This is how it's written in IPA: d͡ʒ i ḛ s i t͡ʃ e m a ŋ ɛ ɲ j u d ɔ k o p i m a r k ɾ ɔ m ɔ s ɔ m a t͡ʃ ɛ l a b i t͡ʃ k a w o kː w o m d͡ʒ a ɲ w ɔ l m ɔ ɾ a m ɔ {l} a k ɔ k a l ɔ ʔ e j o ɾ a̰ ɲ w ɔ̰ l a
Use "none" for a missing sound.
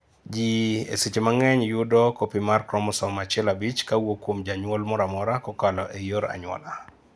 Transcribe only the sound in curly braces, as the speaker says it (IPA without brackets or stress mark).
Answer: ɾ